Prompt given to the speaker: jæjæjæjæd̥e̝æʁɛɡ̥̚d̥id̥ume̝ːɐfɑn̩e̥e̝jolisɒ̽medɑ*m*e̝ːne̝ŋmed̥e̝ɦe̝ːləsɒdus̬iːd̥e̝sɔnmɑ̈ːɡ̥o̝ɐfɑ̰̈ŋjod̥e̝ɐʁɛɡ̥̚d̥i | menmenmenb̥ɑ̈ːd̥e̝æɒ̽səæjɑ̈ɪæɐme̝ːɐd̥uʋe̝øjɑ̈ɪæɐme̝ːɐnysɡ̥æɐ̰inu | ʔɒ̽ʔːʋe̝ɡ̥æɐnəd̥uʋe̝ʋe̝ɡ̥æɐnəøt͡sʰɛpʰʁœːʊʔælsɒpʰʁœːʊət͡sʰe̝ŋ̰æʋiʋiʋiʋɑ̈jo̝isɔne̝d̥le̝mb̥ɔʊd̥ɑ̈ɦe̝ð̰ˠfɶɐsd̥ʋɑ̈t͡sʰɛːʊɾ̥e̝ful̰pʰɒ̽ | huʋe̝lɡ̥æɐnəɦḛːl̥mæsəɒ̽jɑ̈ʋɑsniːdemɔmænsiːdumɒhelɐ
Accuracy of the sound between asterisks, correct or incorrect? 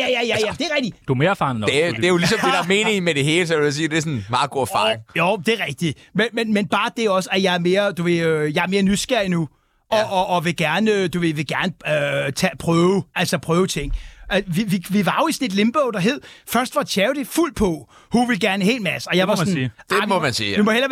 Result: correct